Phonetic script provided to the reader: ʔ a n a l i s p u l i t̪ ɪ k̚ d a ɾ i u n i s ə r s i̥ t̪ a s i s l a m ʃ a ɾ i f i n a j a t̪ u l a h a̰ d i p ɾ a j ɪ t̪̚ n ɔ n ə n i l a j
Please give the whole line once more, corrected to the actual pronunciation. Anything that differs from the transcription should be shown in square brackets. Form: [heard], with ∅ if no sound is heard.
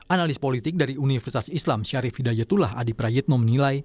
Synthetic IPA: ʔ a n a l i s p [o] l i t̪ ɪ k̚ d a ɾ i u n i [f] ə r s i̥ t̪ a s i s l a m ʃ a ɾ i f i [d] a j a t̪ u l a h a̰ d i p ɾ a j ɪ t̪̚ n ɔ [m] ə n i l a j